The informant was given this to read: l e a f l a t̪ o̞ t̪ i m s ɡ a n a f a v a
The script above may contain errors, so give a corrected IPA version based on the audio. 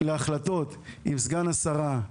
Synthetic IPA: l e a χ l a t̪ o̞ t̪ i m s ɡ a n a s a ʁ a